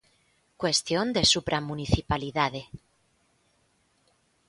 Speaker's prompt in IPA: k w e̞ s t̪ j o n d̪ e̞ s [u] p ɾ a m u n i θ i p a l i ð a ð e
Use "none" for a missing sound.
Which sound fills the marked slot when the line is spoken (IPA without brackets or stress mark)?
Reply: u